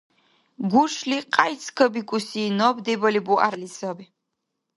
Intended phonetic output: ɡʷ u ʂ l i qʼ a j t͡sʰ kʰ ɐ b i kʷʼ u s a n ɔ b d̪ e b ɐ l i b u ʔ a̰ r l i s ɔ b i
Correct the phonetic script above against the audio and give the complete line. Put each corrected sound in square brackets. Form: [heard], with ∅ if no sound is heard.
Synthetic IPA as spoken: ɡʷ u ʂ l i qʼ a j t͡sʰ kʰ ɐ b i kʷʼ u s [i] n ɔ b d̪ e b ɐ l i b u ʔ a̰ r l i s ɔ b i